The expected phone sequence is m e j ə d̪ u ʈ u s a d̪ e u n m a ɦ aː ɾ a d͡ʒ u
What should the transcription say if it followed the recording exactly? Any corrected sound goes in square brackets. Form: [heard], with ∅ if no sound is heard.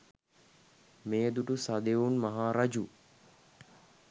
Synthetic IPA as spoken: m e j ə d̪ u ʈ u s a d̪ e u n m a ɦ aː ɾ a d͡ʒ u